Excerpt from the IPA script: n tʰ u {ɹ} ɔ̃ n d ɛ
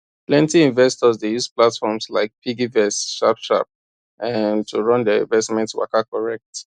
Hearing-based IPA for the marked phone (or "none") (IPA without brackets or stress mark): ɹ